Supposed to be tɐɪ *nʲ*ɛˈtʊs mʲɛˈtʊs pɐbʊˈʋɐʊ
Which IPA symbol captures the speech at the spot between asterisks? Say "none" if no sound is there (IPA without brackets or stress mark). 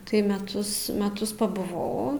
mʲ